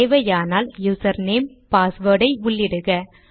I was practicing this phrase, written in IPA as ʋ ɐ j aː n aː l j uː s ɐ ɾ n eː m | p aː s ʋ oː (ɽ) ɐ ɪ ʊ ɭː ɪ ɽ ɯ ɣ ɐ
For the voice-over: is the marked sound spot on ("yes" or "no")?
yes